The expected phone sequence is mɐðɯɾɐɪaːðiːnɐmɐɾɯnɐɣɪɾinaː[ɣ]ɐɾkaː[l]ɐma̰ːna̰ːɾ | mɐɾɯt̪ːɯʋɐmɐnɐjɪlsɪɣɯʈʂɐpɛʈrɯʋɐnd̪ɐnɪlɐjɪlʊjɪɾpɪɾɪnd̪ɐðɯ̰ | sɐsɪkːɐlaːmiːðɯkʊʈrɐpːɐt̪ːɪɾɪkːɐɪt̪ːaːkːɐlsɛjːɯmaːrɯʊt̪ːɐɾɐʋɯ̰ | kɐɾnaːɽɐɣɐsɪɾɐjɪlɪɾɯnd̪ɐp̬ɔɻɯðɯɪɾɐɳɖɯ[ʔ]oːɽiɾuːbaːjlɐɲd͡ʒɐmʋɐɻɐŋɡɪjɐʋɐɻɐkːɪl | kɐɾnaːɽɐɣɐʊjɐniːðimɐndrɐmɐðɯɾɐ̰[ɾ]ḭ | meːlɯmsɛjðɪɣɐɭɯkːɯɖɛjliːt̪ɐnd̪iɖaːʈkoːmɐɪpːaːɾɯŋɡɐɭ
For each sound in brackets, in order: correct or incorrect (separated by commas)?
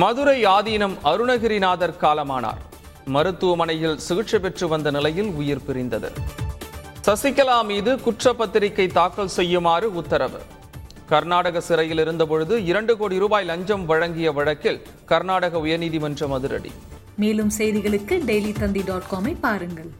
incorrect, correct, incorrect, incorrect